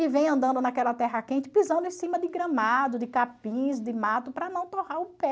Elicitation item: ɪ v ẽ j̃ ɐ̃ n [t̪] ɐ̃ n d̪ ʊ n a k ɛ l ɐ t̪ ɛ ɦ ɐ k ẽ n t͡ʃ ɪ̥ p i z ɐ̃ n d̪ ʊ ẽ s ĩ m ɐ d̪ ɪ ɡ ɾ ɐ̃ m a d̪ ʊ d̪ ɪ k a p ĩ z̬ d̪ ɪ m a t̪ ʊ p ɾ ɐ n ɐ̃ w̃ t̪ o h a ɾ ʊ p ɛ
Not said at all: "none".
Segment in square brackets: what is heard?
d̪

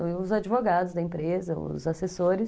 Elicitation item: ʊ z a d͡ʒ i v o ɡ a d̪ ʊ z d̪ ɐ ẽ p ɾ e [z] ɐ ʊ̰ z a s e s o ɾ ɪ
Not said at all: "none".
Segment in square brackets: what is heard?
z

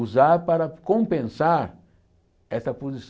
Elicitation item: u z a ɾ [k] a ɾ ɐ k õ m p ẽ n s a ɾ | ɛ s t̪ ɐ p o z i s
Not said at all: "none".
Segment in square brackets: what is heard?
p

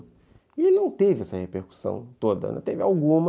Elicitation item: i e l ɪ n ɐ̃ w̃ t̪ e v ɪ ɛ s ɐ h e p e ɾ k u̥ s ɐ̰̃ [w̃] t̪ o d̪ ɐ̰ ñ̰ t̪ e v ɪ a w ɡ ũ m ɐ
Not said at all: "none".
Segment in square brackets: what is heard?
w̃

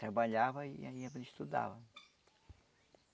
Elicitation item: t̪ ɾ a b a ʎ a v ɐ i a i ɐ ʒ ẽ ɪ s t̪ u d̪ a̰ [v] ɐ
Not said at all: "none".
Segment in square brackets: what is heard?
v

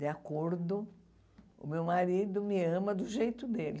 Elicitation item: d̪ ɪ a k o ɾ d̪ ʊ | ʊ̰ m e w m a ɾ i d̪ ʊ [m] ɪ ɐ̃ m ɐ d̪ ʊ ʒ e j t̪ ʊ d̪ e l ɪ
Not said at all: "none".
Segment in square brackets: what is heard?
m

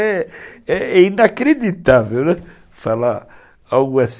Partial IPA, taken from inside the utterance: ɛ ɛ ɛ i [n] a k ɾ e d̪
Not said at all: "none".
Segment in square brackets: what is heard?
n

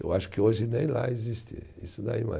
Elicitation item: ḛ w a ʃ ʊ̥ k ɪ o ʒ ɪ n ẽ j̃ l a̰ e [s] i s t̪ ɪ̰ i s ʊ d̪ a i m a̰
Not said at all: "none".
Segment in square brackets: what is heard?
z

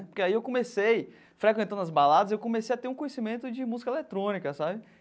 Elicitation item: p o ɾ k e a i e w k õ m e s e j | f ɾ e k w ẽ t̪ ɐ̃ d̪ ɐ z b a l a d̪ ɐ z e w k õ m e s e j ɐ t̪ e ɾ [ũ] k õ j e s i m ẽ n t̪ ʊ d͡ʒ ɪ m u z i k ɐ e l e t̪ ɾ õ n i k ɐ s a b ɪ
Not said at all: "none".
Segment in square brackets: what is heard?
ũ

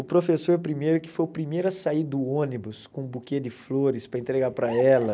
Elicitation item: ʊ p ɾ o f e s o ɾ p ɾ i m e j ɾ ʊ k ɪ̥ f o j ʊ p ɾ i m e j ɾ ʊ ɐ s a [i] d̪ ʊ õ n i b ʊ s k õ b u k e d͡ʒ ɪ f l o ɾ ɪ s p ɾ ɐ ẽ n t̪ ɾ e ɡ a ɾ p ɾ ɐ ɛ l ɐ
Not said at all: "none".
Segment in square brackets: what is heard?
i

